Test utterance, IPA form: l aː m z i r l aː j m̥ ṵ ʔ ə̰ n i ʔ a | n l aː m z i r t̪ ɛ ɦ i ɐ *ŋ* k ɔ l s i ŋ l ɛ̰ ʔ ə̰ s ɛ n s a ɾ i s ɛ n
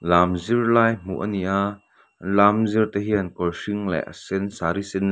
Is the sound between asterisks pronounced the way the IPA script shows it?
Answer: no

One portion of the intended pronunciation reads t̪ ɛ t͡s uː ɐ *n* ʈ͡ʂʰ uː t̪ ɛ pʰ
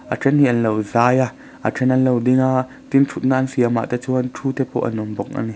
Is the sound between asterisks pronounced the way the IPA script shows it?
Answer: yes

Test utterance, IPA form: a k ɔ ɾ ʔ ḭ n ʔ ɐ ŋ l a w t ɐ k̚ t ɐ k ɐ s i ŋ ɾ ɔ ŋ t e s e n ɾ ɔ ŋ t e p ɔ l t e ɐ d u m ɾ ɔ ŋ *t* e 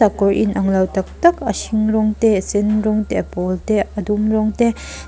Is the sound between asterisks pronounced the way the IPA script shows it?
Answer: yes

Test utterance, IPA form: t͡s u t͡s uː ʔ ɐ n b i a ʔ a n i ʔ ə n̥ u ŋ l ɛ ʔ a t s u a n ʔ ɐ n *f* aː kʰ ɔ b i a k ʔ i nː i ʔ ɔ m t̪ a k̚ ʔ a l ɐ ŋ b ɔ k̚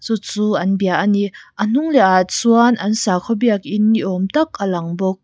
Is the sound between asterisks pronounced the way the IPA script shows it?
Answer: no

